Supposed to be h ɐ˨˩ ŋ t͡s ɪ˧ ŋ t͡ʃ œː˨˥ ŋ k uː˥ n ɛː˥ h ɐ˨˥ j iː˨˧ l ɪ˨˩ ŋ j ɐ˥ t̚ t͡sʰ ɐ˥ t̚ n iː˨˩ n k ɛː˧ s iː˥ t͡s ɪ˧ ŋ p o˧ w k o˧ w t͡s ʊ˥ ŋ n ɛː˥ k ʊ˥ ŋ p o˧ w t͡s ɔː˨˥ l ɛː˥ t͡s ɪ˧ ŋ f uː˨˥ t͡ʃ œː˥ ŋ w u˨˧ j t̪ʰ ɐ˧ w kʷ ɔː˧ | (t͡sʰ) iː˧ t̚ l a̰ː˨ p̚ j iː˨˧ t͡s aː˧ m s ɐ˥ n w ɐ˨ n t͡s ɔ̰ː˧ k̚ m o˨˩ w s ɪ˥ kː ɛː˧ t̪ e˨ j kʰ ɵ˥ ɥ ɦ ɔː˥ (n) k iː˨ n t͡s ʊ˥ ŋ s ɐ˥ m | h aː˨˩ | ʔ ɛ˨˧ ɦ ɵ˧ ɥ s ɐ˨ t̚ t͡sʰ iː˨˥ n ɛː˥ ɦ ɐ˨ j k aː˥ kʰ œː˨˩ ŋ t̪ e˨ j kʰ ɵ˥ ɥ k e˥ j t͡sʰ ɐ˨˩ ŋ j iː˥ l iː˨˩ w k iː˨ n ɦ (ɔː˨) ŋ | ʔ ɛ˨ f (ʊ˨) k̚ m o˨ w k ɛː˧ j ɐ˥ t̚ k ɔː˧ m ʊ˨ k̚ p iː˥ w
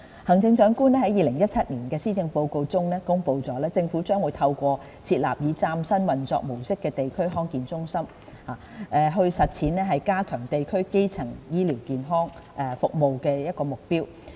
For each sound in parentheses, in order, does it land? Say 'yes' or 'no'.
yes, no, no, yes

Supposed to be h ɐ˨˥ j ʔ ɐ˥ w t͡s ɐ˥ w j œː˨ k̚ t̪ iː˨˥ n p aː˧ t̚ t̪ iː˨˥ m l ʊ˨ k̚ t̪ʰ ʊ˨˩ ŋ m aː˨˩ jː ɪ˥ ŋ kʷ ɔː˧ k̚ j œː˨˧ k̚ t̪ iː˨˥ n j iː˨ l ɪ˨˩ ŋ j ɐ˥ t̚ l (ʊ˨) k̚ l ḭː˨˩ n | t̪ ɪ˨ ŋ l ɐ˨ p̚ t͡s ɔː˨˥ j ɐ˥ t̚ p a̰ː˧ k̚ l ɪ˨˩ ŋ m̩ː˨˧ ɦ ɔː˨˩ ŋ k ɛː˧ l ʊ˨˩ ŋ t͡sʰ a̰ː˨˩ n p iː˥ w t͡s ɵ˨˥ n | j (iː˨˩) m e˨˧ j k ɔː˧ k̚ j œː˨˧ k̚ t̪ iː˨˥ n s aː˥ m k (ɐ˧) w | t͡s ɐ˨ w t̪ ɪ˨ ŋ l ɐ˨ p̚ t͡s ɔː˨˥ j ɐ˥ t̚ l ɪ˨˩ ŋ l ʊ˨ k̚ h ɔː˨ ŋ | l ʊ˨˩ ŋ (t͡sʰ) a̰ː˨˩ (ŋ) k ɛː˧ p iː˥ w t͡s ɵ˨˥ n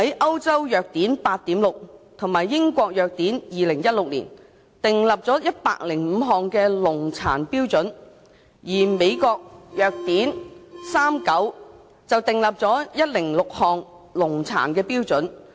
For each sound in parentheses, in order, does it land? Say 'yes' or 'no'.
yes, yes, no, yes, no

